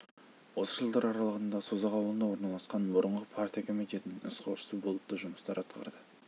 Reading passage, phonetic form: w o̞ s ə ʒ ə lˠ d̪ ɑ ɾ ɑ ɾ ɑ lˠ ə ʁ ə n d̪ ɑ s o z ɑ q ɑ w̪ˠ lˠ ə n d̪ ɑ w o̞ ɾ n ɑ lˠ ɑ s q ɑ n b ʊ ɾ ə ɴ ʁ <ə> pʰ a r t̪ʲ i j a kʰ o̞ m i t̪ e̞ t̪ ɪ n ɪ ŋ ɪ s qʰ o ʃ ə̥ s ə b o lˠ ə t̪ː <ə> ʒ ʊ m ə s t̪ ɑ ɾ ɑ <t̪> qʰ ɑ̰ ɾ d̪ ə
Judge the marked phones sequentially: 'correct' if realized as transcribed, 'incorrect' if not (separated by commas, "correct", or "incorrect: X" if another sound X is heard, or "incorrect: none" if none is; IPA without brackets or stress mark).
correct, correct, correct